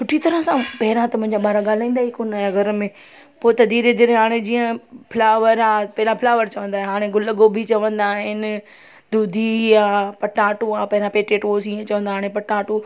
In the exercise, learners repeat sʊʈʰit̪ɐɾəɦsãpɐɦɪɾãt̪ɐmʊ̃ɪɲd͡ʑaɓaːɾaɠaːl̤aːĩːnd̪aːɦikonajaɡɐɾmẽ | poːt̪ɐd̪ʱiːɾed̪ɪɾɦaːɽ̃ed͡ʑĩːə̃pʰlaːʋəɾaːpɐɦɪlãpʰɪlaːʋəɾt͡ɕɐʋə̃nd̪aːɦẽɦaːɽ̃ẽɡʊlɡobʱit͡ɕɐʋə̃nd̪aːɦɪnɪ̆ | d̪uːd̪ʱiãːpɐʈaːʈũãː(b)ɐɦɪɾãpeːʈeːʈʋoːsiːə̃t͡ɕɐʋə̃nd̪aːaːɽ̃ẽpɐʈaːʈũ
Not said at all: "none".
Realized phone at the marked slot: p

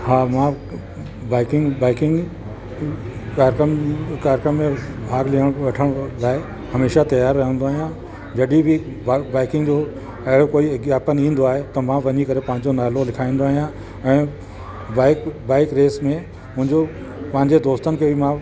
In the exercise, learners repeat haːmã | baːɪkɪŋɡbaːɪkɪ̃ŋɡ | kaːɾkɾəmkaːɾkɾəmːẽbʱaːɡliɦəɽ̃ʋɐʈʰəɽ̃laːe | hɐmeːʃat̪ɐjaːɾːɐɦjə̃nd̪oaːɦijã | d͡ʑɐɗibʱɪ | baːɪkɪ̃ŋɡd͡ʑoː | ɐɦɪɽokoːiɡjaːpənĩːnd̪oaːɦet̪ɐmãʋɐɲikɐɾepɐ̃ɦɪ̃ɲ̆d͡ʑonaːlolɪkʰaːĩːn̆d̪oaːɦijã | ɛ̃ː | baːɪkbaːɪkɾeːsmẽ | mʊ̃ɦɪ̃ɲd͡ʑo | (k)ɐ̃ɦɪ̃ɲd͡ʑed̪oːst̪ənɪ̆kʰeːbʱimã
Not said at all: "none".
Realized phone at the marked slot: p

